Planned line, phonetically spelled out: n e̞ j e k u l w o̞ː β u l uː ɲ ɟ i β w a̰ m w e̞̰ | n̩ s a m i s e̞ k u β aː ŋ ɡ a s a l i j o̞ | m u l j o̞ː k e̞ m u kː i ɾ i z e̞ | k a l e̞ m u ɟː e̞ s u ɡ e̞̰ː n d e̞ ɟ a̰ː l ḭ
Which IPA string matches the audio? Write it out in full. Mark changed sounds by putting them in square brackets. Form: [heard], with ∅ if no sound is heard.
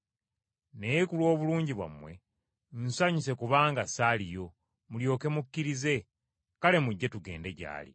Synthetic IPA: n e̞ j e k u l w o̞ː β u l uː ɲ ɟ i β w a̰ m w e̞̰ | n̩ s a [ɲ] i s e̞ k u β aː ŋ ɡ a s a l i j o̞ | m u l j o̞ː k e̞ m u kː i ɾ i z e̞ | k a l e̞ m u ɟː e̞ [t] u ɡ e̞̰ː n d e̞ ɟ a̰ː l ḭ